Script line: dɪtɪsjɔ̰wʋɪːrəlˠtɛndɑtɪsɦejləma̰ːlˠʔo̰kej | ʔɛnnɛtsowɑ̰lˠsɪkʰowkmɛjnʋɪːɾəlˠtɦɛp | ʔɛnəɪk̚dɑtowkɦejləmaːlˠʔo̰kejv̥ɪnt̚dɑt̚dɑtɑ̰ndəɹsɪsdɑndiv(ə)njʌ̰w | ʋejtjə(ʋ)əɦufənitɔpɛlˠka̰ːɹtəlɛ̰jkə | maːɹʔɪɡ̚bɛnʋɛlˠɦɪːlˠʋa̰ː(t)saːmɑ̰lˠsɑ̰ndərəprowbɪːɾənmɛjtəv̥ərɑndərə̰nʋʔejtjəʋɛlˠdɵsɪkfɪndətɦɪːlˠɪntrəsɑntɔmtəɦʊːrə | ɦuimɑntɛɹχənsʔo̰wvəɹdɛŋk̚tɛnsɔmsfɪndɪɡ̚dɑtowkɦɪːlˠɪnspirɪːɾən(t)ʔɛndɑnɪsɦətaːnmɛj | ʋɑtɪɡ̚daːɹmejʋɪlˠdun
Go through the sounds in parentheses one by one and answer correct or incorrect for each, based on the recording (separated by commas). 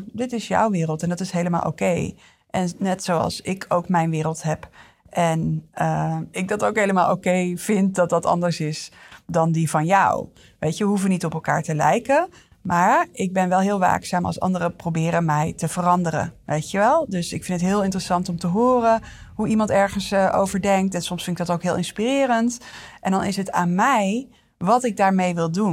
incorrect, correct, incorrect, correct